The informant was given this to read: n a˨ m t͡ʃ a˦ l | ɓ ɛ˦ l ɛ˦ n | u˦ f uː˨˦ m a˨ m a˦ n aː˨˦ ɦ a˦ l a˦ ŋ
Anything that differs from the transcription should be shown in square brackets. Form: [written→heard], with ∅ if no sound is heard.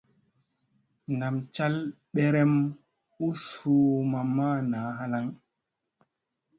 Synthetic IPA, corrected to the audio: n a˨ m t͡ʃ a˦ l | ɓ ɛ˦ [l→ɾ] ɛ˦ [n→m] | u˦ [f→s] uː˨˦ m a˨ m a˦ n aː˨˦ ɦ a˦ l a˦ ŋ